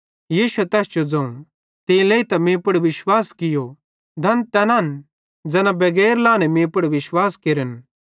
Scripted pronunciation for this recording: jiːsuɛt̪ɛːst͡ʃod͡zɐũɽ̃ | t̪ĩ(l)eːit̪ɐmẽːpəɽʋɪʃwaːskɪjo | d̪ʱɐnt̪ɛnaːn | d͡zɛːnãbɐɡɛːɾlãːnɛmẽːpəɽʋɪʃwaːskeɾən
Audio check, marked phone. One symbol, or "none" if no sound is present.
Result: l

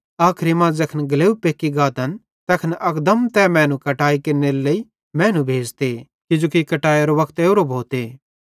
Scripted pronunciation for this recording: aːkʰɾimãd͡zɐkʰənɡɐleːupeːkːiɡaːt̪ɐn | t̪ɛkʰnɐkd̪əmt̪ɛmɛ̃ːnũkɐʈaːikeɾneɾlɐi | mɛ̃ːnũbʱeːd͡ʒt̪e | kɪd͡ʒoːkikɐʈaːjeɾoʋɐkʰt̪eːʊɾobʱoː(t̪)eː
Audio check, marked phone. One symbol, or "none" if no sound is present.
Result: t̪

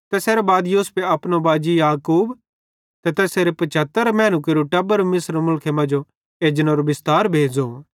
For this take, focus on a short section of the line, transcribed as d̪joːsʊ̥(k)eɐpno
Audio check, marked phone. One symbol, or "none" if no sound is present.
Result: p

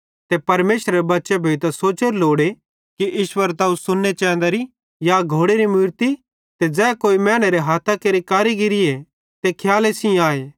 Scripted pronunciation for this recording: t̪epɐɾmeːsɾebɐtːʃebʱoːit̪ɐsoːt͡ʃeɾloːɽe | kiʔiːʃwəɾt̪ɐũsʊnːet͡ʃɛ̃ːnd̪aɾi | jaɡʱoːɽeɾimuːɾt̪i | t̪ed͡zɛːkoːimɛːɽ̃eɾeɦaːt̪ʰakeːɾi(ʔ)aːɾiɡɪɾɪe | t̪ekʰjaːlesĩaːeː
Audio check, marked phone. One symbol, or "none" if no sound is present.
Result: k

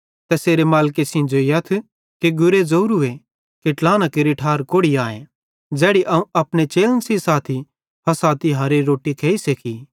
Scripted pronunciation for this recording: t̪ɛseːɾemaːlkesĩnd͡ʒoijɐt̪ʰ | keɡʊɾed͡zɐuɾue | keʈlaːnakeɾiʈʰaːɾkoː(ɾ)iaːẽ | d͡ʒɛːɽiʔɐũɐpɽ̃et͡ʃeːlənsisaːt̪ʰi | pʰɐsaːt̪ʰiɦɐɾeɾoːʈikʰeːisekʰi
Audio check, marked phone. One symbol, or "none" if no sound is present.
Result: ɽ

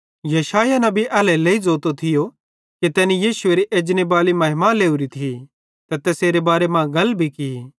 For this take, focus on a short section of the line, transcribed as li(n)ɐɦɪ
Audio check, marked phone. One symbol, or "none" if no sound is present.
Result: m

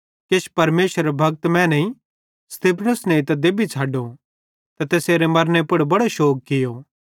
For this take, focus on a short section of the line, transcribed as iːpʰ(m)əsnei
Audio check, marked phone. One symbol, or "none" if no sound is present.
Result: n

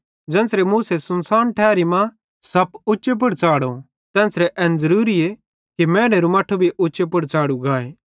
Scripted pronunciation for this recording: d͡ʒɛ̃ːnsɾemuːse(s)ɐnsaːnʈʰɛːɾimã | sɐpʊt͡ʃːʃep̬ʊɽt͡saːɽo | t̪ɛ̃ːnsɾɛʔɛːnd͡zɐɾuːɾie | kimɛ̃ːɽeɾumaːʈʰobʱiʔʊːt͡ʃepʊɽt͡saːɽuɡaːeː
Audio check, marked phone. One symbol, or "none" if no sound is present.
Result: s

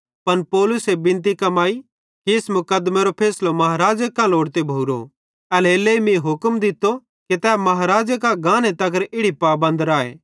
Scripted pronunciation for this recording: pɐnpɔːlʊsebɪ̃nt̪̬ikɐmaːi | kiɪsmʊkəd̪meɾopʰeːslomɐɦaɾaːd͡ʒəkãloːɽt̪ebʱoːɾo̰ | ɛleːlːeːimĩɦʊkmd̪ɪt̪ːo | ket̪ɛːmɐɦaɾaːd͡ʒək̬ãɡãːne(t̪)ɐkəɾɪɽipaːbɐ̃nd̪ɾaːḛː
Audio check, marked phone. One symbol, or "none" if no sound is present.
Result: t̪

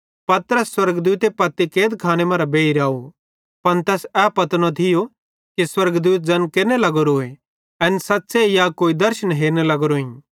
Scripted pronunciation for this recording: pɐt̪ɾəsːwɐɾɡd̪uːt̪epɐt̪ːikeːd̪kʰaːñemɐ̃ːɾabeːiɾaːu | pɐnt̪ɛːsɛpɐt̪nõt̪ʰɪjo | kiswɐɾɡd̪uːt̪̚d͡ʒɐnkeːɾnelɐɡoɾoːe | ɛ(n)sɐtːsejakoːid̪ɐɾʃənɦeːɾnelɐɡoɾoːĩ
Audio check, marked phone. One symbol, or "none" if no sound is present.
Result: n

